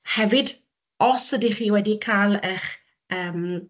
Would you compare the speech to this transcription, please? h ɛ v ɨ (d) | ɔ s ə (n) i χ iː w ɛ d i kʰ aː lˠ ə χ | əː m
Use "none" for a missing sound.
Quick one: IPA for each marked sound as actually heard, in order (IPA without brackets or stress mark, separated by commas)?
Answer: d, d